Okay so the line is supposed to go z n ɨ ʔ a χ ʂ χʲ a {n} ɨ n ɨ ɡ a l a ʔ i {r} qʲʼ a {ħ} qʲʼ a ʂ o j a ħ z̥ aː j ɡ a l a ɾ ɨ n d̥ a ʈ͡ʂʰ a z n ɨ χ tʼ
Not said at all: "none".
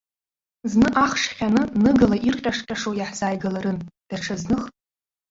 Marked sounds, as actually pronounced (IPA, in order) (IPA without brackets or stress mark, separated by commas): n, r, ʂ